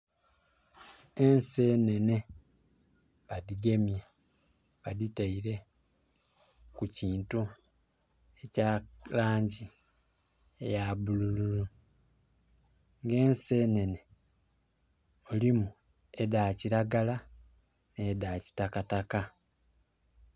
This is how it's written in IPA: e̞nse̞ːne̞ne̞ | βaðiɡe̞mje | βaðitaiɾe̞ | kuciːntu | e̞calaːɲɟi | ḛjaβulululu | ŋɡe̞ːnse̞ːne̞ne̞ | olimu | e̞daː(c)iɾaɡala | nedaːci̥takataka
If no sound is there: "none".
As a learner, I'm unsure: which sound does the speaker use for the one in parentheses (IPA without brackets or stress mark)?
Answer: c